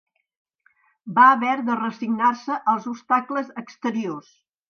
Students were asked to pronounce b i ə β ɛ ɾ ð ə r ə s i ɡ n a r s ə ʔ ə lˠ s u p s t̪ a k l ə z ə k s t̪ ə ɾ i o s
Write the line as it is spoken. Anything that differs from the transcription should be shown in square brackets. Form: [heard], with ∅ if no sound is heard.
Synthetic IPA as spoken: b [a] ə β ɛ ɾ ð ə r ə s i ɡ n a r s ə ʔ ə lˠ [z] u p s t̪ a k l ə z ə k s t̪ ə ɾ i o s